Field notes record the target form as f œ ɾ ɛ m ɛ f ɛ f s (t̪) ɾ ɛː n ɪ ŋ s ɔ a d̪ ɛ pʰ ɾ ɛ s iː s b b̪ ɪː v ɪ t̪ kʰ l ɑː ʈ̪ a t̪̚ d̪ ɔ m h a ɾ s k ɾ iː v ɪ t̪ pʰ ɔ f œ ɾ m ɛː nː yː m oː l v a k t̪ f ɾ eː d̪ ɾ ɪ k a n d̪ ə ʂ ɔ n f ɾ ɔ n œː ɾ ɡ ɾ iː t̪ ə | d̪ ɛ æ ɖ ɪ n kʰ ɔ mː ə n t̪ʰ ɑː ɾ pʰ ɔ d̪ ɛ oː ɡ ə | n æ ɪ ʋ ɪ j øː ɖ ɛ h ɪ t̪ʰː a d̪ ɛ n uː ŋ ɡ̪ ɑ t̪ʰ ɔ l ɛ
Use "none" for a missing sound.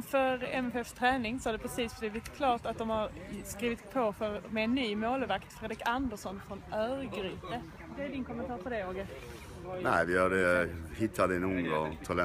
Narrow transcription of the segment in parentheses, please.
t̪ʰ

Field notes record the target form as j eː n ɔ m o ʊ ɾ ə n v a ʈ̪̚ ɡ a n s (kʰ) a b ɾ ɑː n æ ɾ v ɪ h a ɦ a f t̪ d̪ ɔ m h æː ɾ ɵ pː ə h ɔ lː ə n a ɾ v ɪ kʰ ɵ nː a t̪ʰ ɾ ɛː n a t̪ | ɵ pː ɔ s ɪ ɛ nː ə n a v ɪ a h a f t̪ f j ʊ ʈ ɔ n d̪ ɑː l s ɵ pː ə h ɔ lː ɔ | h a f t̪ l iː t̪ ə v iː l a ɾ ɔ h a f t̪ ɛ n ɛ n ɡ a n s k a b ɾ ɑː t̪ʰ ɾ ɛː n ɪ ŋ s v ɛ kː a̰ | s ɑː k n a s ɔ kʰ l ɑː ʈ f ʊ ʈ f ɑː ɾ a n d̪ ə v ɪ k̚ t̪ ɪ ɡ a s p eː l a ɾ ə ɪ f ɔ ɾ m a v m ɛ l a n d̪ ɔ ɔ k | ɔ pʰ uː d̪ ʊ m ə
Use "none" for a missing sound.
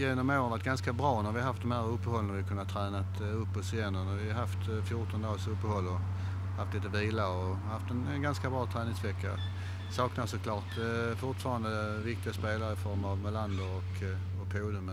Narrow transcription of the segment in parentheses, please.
k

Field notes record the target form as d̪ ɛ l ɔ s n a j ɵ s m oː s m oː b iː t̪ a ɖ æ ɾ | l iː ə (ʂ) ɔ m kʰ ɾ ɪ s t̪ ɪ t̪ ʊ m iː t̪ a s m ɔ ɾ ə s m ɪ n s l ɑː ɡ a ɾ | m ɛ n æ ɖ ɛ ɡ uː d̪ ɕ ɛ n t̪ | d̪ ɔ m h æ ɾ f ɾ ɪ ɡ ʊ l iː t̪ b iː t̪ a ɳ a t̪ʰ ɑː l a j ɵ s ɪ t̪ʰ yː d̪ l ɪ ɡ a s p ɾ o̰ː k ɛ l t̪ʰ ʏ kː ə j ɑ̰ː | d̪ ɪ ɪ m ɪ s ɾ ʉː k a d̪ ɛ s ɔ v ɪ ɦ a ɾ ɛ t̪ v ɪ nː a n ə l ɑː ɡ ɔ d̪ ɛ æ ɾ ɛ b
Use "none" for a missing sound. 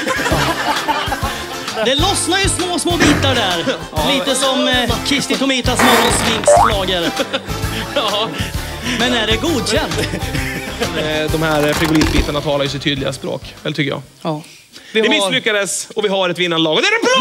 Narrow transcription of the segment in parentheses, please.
s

